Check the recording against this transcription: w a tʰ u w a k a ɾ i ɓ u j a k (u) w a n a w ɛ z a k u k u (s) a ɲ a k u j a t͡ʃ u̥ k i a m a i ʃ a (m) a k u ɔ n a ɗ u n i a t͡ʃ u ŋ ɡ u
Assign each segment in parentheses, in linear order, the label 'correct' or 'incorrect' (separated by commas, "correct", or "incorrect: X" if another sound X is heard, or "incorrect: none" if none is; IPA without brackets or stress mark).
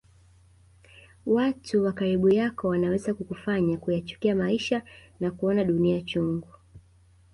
incorrect: ɔ, incorrect: f, incorrect: n